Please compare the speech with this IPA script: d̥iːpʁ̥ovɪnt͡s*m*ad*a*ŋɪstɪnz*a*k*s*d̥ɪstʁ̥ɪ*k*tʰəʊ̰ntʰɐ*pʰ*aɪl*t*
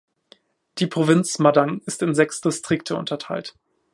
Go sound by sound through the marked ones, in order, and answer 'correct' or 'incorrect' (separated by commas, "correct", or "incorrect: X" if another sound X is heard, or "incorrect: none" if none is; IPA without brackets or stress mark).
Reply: correct, correct, incorrect: ɛ, correct, correct, incorrect: tʰ, correct